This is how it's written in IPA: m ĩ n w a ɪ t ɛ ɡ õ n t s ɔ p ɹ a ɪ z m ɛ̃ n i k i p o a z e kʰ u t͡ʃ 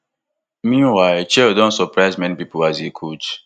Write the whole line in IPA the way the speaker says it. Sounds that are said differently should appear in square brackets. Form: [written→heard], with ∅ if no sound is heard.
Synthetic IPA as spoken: m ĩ n w a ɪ [t→t͡ʃ] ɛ [ɡ→d] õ n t s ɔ p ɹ a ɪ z m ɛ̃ n i [k→p] i p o a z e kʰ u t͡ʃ